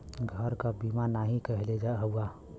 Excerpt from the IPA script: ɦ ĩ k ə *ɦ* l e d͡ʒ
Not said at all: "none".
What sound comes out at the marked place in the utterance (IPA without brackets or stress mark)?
ɦ